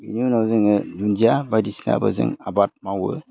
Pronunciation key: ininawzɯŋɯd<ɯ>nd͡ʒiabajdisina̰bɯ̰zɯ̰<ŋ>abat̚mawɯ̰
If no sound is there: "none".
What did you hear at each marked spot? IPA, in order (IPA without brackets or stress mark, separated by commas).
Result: u, ŋ